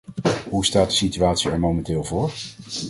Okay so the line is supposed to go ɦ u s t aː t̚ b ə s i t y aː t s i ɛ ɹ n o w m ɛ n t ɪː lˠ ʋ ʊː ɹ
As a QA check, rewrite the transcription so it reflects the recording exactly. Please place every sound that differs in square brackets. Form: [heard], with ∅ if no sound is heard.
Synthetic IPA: ɦ u s t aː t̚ [d] ə s i t y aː t s i ɛ ɹ [m] o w m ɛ n t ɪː lˠ [v] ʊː ɹ